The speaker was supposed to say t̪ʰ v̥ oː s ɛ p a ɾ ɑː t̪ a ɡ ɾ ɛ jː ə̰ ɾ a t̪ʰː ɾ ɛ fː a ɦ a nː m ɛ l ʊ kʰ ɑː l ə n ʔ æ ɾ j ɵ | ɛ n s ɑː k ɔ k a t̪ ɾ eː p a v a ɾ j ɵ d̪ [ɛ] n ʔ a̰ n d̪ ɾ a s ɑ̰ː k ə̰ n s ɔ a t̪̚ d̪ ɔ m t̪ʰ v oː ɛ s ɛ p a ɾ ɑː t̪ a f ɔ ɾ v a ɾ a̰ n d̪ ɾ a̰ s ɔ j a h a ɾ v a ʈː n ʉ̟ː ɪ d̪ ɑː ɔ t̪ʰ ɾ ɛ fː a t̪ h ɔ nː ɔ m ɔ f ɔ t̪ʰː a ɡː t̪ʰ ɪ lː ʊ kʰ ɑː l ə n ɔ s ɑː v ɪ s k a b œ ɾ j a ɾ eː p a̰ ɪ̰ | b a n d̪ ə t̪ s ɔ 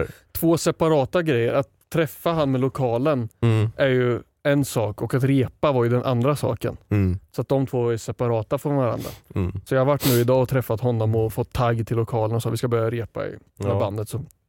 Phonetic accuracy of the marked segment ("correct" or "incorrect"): correct